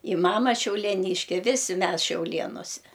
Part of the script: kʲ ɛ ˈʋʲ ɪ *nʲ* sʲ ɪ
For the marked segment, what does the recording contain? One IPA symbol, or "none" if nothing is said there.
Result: none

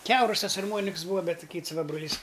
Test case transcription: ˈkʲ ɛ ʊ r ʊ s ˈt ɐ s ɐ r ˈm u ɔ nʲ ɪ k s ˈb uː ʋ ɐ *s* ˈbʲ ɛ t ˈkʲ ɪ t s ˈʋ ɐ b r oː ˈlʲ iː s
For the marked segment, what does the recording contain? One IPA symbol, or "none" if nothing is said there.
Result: none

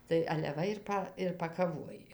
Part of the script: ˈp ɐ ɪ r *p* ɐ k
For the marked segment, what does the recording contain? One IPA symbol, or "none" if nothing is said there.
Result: p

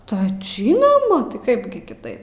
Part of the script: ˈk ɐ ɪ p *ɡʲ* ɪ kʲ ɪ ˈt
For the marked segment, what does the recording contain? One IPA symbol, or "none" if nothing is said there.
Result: ɡʲ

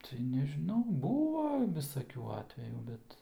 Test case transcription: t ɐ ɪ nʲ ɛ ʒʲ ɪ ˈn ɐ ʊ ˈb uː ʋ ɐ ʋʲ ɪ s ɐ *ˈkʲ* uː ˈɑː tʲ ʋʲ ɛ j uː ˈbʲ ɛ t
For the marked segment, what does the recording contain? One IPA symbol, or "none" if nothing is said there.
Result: kʲ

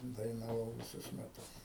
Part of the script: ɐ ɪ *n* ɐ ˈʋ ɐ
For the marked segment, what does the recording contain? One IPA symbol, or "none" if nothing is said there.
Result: n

